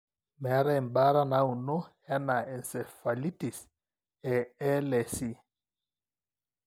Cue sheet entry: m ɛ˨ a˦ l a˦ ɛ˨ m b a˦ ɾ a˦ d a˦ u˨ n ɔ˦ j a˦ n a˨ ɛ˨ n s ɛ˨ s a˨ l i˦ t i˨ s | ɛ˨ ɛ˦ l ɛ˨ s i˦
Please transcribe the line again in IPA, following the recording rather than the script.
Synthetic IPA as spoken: m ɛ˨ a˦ ɾ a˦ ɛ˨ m b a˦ ɾ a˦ n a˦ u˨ n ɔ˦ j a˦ n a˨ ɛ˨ n s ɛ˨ f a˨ l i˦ t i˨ s | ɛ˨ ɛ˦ l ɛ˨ s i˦